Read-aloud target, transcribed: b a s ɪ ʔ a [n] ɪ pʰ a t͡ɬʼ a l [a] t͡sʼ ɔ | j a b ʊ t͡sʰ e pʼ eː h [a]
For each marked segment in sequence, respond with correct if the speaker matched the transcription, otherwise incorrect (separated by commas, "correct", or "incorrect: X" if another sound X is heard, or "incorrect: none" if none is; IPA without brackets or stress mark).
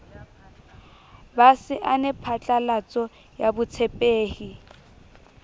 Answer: correct, correct, incorrect: i